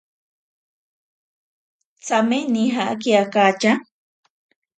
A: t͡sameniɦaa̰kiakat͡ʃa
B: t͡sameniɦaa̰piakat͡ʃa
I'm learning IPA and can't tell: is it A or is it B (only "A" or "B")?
A